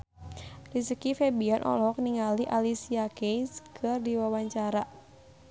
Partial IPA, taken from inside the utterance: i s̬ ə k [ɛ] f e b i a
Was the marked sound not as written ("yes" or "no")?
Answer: yes